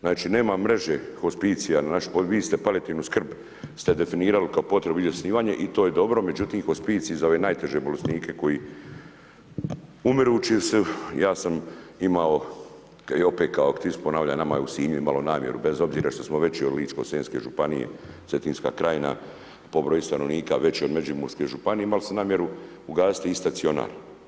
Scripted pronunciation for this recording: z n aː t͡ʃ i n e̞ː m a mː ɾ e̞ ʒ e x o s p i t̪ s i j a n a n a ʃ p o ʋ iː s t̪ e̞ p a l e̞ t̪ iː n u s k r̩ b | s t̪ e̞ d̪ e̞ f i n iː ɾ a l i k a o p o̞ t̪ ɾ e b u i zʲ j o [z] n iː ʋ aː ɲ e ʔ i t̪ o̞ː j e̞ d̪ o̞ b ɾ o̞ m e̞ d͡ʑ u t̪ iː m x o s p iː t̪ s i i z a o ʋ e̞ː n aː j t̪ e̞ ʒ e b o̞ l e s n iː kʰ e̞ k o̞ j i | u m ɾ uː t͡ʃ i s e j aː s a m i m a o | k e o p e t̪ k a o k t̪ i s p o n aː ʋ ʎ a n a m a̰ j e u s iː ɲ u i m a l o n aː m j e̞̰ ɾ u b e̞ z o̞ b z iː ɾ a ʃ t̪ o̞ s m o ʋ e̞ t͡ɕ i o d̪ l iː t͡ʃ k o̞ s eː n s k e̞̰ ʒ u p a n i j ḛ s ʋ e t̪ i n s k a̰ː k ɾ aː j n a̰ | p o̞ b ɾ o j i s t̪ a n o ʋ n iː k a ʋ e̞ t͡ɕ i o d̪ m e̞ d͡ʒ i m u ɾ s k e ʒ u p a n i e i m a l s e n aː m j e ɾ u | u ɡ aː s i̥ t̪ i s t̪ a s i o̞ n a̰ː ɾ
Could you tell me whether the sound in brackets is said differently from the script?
yes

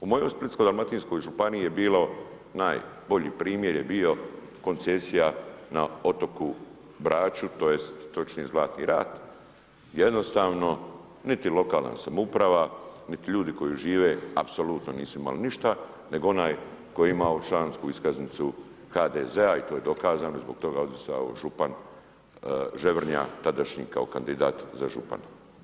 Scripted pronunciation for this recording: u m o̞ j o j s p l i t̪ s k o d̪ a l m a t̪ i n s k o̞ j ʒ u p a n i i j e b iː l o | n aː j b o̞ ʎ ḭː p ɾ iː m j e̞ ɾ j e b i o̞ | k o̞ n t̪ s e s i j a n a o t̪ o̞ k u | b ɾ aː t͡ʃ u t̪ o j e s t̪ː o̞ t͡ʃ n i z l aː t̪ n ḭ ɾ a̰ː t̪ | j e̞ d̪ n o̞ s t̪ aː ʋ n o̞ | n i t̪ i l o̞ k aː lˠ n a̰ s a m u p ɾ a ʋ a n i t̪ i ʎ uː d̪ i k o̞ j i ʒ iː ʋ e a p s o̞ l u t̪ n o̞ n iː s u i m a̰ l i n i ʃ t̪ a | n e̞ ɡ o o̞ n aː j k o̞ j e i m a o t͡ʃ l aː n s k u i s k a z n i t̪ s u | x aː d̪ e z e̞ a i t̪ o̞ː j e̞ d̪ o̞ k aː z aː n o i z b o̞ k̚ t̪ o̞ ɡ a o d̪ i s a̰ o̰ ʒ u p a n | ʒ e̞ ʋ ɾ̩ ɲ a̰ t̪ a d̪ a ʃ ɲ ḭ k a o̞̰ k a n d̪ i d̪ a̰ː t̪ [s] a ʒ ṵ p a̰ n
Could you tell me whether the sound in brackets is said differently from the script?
yes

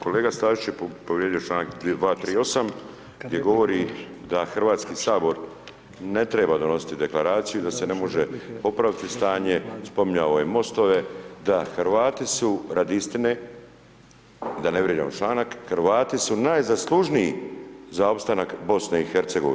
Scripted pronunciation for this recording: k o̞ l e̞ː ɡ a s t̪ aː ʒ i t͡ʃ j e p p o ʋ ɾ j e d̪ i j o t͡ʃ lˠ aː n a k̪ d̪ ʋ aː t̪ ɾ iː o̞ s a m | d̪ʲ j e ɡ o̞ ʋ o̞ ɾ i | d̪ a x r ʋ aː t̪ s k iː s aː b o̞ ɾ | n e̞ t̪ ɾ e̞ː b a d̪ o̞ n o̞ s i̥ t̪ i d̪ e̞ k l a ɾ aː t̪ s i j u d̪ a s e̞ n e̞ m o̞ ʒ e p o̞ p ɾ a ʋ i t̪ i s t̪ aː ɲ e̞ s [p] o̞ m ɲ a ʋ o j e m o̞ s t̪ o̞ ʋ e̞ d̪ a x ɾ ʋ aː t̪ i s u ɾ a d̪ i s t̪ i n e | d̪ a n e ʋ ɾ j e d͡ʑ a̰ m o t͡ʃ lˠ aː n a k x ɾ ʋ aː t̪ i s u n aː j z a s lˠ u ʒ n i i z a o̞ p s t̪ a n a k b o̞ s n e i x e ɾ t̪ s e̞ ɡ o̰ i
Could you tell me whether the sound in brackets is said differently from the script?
no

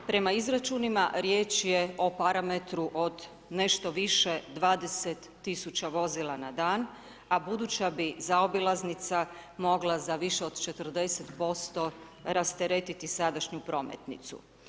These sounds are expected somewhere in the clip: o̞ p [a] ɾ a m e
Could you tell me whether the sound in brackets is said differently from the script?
no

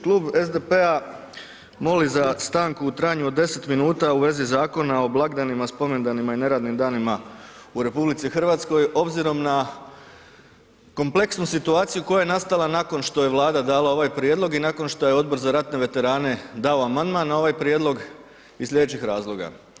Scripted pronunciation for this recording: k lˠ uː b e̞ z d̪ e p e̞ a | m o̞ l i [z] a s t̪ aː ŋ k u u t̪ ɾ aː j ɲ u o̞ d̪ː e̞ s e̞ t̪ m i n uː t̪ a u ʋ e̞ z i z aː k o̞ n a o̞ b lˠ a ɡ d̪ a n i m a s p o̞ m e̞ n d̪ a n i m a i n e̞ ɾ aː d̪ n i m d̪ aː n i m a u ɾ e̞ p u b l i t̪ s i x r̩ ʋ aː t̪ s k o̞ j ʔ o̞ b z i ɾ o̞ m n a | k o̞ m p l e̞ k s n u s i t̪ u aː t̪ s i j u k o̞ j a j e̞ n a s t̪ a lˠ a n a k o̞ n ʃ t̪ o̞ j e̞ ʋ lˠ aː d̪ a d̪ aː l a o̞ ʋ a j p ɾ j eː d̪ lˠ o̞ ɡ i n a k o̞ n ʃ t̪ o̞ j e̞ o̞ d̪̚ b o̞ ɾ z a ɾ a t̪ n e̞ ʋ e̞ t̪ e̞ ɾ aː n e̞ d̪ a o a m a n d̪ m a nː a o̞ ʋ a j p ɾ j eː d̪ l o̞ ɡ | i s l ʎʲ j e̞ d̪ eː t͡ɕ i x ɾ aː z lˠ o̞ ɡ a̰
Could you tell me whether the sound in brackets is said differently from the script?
no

